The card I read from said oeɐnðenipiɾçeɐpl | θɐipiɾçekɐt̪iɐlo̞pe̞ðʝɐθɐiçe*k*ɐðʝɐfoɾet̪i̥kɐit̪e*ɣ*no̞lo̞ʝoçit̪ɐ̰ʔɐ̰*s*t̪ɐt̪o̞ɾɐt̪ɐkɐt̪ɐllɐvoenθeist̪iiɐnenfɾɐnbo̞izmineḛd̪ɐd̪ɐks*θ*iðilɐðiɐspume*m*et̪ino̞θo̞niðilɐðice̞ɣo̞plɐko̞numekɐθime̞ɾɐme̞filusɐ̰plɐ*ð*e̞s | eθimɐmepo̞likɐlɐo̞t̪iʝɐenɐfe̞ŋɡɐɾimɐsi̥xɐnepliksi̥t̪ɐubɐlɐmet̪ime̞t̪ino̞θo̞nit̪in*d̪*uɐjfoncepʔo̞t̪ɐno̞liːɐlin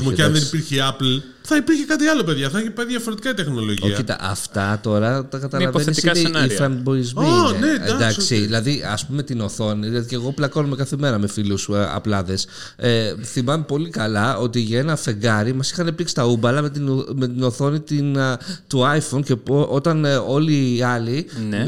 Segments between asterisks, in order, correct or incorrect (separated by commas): incorrect, incorrect, incorrect, incorrect, correct, correct, incorrect